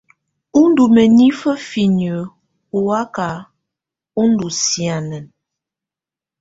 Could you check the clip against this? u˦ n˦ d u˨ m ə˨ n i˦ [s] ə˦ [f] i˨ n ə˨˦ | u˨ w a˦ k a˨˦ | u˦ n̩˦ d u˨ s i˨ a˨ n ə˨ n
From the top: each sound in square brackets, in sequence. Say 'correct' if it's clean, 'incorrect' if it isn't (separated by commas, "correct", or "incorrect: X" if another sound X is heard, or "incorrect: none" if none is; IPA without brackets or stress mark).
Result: incorrect: f, correct